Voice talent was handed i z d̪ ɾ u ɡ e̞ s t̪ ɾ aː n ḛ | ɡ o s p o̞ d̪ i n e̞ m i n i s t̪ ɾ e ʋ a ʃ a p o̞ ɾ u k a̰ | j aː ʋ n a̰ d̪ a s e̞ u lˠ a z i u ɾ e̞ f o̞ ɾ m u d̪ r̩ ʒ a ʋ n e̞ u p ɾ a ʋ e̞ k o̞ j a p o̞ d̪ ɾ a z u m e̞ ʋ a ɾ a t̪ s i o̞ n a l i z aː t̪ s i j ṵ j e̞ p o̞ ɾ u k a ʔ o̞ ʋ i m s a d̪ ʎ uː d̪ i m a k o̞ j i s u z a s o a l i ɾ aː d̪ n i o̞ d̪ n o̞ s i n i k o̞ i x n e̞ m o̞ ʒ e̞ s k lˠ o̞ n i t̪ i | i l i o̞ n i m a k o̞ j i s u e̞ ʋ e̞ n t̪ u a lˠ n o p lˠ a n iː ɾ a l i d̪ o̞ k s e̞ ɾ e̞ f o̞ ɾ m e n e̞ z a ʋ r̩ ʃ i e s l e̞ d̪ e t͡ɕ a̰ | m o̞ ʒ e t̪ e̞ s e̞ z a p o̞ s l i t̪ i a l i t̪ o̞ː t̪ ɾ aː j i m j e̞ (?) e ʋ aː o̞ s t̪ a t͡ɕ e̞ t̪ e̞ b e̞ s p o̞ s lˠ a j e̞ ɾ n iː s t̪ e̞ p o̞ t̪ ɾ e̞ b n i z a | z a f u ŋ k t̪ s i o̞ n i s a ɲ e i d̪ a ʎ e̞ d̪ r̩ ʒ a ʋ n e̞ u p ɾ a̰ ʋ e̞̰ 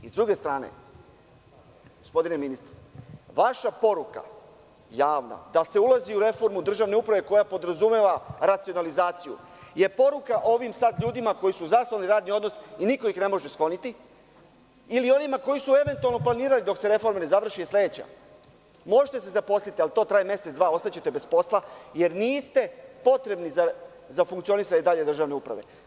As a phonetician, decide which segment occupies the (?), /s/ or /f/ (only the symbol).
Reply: s